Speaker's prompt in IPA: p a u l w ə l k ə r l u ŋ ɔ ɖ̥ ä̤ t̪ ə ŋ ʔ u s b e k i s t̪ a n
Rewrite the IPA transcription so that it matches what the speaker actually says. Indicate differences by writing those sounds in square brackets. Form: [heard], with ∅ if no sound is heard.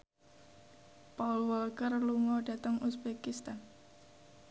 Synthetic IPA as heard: p a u l w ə l k ə r l u ŋ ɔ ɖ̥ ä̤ t̪ ə ŋ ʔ u s b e k i s t̪ a n